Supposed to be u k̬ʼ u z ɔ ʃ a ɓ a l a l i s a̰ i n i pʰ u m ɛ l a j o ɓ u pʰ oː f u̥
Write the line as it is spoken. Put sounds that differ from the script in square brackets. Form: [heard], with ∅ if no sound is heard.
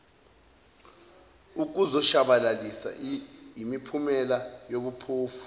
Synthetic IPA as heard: u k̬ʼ u z ɔ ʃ a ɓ a l a l i s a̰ i [m] i pʰ u m ɛ l a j o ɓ u pʰ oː f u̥